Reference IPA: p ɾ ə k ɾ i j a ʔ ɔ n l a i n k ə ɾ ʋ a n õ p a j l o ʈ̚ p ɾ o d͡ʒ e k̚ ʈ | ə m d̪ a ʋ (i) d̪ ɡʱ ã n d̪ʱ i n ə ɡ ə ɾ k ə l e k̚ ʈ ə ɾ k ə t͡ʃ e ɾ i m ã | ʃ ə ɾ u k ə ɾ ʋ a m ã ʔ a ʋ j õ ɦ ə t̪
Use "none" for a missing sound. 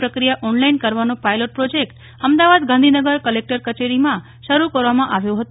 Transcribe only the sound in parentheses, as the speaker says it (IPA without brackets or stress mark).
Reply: a